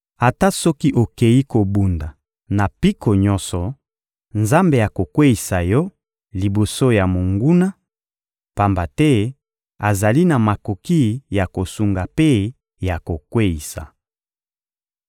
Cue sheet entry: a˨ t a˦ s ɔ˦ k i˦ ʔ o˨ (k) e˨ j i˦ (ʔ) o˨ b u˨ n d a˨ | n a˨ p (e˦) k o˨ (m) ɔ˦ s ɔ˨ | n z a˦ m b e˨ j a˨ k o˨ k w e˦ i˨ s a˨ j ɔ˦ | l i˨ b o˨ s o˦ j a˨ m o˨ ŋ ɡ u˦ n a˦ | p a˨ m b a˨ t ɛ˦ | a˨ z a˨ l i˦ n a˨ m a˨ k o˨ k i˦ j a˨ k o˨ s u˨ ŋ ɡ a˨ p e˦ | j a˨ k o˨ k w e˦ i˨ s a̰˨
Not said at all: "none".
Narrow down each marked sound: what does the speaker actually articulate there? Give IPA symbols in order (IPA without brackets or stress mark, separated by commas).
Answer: k, k, i˦, ɲ